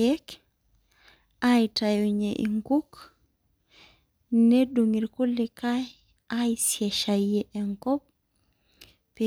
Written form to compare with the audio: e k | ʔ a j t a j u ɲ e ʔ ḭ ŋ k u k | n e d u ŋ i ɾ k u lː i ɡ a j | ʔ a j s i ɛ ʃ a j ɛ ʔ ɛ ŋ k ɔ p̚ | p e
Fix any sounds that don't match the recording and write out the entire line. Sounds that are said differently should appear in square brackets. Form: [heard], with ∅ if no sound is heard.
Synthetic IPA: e k | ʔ a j t a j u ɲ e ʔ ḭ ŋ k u k | n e d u ŋ i ɾ k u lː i [k] a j | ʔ a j s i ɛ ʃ a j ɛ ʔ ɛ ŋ k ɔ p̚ | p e